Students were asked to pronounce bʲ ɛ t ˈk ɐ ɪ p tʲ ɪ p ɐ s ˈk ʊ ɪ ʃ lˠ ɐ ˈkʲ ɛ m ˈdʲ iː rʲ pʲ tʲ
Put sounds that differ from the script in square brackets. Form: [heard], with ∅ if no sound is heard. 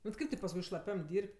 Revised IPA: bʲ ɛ t ˈk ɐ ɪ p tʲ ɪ p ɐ s ˈk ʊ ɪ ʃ lˠ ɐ [ˈpʲ] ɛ m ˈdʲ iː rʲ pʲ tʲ